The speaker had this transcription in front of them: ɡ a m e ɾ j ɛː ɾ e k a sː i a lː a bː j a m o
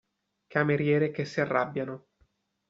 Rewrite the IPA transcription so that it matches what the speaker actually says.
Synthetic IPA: k a m e ɾ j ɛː ɾ e k e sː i a rː a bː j a n o

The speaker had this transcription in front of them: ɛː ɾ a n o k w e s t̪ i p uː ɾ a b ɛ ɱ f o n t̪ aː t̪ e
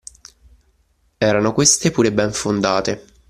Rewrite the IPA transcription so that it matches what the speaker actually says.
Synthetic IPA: ɛː ɾ a n o k w e s t̪ e p uː ɾ e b ɛ ɱ f o n d̪ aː t̪ e

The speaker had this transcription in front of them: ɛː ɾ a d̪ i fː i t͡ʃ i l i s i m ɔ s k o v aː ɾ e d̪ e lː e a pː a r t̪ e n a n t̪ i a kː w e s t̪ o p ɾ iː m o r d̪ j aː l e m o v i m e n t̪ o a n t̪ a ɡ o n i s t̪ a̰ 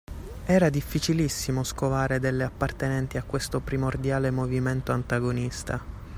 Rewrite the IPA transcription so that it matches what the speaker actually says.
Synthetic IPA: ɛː ɾ a d̪ i fː i t͡ʃ i l i sː i m o s k o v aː ɾ e d̪ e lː e a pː a r t̪ e n ɛ n t̪ i a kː w e s t̪ o p ɾ i m o r d̪ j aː l e m o v i m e n t̪ o a n t̪ a ɡ o n i s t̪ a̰

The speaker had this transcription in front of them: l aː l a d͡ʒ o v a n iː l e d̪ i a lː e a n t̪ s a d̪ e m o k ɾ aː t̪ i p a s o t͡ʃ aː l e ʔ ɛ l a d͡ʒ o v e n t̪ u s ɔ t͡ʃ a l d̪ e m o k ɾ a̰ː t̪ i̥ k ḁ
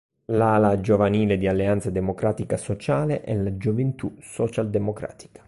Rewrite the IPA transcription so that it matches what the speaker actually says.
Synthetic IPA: l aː l a d͡ʒ o v a n iː l e d̪ i a lː e a n t̪ s a d̪ e m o k ɾ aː t̪ i k a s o t͡ʃ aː l e ʔ ɛ l a d͡ʒ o v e n t̪ u s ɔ t͡ʃ a l d̪ e m o k ɾ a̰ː t̪ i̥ k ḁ

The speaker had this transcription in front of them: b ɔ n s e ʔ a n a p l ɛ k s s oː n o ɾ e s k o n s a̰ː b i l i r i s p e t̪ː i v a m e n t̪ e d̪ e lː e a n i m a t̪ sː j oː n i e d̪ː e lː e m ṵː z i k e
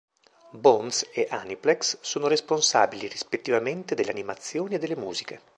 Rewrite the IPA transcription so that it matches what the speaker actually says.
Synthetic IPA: b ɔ n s e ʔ a n i p l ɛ k s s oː n o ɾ e s p o n s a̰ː b i l i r i s p e t̪ː i v a m e n t̪ e d̪ e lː e a n i m a t̪ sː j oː n i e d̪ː e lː e m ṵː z i k e

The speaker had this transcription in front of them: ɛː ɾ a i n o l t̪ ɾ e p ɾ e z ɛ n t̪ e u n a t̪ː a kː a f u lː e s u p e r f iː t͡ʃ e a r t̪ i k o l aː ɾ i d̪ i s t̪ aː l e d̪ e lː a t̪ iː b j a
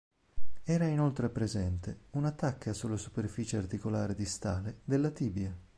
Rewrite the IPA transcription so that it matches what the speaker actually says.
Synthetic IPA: ɛː ɾ a i n o l t̪ ɾ e p ɾ e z ɛ n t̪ e u n a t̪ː a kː a s u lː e s u p e r f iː t͡ʃ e a r t̪ i k o l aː ɾ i d̪ i s t̪ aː l e d̪ e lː a t̪ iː b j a

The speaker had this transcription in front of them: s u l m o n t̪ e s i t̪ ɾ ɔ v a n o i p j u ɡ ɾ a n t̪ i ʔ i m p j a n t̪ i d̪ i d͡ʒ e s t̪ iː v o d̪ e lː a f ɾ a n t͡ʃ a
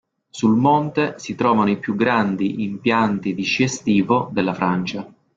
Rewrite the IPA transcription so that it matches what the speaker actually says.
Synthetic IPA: s u l m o n t̪ e s i t̪ ɾ ɔː v a n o i p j u ɡ ɾ a n d̪ i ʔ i m p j a n t̪ i d̪ i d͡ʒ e s t̪ iː v o d̪ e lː a f ɾ a n t͡ʃ a

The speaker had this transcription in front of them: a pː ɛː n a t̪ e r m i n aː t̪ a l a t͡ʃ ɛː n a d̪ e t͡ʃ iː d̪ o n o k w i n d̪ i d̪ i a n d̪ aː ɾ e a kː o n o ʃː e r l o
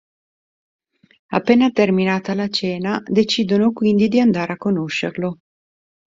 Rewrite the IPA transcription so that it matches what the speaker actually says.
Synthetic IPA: a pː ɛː n a t̪ e r m i n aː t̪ a l a t͡ʃ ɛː n a d̪ e t͡ʃ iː d̪ o n o k w i n d̪ i d̪ i a n d̪ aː ɾ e a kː o n o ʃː e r l o

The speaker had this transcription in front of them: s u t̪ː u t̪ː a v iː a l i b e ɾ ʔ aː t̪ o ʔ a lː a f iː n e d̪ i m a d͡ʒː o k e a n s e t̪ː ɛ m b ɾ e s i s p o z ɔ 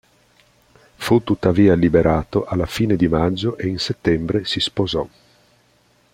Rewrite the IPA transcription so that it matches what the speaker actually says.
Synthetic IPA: f u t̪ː u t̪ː a v iː a l i b e ɾ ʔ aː t̪ o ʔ a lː a f iː n e d̪ i m a d͡ʒː o ʔ e i n s e t̪ː ɛ m b ɾ e s i s p o z ɔ

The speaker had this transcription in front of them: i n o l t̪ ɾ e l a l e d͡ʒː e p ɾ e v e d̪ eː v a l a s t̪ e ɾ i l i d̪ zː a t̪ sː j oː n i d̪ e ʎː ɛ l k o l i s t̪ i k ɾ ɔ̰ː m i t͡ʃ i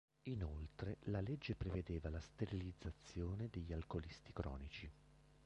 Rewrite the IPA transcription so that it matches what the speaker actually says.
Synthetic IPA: i n o l t̪ ɾ e l a l e d͡ʒː e p ɾ e v e d̪ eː v a l a s t̪ e ɾ i l i d̪ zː a t̪ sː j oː n e d̪ e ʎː a l k o l i s t̪ i k ɾ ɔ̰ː n i t͡ʃ i

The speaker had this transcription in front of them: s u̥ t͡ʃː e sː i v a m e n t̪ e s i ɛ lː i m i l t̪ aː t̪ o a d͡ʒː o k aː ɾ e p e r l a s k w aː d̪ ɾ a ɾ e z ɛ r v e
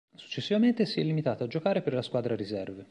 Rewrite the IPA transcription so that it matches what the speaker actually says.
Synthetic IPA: s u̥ t͡ʃː e sː i v a m e n t̪ e s i ɛ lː i m i t̪ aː t̪ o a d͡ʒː o k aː ɾ e p e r l a s k w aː d̪ ɾ a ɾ i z ɛ r v e

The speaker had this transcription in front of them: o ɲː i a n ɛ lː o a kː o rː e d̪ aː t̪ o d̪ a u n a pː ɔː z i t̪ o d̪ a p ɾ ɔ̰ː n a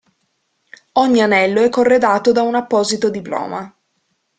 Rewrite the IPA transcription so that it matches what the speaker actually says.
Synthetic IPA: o ɲː i a n ɛ lː o ɛ kː o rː e d̪ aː t̪ o d̪ a u n a pː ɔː z i t̪ o d̪ i p l ɔ̰ː m a

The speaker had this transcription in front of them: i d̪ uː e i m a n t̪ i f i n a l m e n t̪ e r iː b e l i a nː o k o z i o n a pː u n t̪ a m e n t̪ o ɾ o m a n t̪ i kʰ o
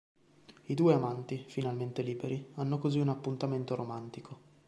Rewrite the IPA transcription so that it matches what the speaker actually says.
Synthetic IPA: i d̪ uː e a m a n t̪ i f i n a l m e n t̪ e l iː b e ɾ i a nː o k o z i u n a pː u n t̪ a m e n t̪ o ɾ o m a n t̪ i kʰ o

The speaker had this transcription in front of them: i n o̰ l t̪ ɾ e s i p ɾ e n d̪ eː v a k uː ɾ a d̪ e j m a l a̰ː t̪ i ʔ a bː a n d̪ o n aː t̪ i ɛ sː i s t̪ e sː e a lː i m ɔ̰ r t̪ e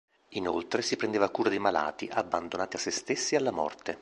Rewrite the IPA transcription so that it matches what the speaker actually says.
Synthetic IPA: i n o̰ l t̪ ɾ e s i p ɾ e n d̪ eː v a k uː ɾ a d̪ e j m a l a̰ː t̪ i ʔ a bː a n d̪ o n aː t̪ i a sː e s t̪ e sː i a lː a m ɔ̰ r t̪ e

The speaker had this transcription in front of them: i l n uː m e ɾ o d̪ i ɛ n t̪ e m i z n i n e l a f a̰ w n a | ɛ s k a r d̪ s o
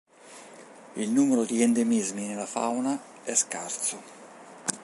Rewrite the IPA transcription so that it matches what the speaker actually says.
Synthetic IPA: i l n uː m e ɾ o d̪ i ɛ n d̪ e m i z m i n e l a f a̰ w n a | ɛ s k a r t̪ s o

